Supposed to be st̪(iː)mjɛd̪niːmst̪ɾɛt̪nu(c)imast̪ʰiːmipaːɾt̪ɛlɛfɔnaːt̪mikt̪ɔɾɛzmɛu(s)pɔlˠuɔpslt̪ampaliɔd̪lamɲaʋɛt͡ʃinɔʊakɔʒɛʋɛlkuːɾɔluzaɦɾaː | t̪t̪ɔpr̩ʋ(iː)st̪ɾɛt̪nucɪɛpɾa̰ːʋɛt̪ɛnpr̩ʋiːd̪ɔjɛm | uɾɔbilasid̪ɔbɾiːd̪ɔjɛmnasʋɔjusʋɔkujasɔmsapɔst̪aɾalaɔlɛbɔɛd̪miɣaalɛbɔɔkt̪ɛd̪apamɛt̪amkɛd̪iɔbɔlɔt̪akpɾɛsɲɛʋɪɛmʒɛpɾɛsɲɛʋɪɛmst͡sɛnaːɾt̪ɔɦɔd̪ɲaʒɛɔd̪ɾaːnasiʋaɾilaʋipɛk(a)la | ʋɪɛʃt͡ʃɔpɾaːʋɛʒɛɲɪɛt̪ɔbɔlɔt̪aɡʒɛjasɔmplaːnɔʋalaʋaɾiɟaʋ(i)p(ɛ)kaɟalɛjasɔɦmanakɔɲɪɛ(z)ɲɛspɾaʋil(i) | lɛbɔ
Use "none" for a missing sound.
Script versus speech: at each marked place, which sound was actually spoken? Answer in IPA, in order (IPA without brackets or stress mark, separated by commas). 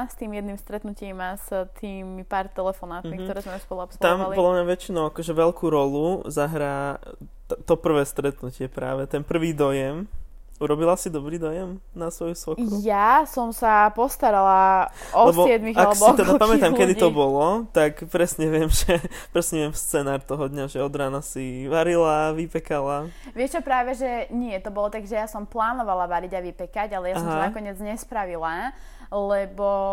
iː, c, s, ɛː, a, i, ɛ, d͡z, a